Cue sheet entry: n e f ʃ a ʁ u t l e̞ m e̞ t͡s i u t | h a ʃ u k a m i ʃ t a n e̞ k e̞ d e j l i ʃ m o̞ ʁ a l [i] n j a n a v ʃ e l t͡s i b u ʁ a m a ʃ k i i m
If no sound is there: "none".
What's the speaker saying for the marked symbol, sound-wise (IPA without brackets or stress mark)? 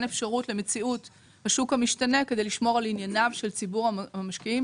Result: i